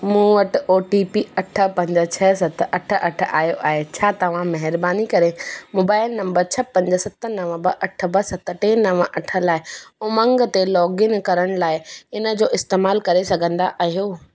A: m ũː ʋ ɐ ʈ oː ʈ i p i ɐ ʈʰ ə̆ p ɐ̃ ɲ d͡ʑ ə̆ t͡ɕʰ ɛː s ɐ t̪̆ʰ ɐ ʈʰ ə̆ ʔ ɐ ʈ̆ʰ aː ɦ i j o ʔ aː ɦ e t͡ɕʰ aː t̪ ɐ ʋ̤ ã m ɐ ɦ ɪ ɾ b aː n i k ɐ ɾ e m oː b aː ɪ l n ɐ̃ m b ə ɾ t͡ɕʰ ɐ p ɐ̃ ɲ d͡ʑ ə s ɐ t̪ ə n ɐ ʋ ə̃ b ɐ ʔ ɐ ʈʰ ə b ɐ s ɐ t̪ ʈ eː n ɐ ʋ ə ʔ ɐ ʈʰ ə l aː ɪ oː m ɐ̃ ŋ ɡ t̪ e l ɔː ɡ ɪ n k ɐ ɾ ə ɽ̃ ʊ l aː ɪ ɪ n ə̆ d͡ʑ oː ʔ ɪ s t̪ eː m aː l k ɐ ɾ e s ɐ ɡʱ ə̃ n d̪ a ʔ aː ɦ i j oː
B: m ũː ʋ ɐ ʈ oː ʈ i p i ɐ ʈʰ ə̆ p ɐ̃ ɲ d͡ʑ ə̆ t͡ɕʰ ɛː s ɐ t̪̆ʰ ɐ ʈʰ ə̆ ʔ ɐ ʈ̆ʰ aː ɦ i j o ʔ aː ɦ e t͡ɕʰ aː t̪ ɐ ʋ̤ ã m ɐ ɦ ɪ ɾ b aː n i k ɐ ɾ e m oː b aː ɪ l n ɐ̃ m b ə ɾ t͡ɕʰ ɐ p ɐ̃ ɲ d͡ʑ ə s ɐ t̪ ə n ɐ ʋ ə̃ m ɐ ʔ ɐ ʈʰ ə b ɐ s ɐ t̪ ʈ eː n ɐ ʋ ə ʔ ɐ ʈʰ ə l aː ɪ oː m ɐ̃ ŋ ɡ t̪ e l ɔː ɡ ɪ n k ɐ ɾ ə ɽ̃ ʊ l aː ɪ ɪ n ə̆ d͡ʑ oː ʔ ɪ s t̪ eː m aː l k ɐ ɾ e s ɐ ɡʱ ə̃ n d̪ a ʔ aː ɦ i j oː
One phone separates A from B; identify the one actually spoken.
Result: A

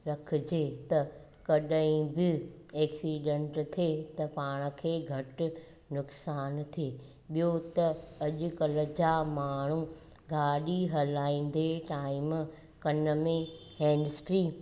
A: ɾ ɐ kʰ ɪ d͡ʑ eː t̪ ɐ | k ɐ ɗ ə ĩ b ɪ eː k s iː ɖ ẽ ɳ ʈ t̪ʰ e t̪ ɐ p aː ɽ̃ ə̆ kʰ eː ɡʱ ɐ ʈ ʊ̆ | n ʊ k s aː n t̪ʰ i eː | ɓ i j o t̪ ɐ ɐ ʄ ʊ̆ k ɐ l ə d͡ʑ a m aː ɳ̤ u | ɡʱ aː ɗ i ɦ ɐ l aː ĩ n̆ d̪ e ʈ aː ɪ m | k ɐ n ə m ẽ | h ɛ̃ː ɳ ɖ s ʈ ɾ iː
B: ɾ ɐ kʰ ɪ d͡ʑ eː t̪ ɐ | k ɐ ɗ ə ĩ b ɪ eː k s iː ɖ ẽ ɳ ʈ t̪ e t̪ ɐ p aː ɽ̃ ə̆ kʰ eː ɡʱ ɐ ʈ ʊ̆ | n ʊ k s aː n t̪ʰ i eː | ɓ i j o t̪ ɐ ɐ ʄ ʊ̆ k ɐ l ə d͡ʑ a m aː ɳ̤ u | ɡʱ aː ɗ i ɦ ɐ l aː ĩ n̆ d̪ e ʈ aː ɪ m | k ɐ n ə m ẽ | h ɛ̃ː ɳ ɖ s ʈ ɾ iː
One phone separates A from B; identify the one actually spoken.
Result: A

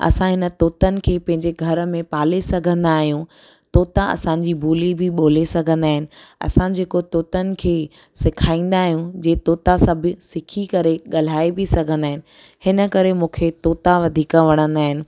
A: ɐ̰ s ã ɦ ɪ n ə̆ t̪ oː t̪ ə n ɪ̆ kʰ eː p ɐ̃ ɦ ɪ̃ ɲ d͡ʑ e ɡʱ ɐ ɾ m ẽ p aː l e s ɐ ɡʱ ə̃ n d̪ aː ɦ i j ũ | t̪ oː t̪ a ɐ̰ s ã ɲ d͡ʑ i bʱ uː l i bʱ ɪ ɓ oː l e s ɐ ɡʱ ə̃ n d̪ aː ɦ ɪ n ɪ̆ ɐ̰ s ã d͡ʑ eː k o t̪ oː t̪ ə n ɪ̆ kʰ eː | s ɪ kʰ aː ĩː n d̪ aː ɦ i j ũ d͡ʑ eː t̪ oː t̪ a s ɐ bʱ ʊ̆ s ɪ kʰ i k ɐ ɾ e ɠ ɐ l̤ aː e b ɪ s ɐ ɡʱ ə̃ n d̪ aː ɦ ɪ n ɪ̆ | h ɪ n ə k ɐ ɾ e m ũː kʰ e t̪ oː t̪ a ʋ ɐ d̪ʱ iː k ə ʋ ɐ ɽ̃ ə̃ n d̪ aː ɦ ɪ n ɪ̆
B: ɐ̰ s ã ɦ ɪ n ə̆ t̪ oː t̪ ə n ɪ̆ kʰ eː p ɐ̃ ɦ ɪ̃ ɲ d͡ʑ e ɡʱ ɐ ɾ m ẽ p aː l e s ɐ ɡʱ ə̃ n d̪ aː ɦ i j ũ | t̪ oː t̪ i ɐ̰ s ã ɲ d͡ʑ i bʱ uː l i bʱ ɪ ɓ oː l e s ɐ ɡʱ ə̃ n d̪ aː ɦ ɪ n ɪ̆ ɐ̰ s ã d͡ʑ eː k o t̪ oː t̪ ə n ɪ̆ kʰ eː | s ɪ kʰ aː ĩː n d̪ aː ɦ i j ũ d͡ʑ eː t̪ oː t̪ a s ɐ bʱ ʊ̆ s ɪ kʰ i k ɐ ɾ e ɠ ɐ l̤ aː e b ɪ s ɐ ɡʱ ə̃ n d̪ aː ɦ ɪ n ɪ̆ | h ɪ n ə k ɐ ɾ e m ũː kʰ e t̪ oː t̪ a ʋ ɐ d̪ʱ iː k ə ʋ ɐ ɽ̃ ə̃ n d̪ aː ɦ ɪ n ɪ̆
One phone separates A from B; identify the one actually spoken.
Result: A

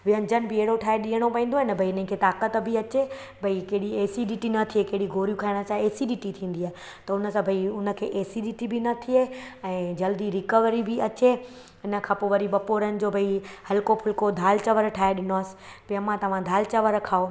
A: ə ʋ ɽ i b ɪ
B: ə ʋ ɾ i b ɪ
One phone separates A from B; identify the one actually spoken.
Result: B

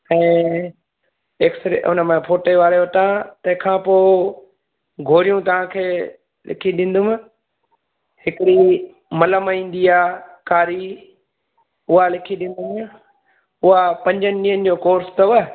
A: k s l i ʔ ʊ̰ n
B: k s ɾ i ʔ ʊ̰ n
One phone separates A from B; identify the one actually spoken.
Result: B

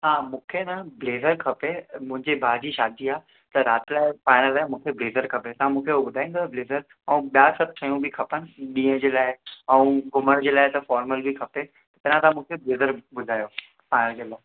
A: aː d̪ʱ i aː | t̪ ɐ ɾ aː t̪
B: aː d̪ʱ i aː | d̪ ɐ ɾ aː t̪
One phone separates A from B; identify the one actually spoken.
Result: A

